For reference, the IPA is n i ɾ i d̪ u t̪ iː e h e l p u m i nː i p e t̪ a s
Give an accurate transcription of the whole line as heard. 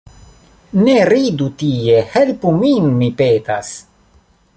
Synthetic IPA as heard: n e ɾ i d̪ u t̪ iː e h e l p u m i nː i p e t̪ a s